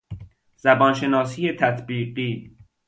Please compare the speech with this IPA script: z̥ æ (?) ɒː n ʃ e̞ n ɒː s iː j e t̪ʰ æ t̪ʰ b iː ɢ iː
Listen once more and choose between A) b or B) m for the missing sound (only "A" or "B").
A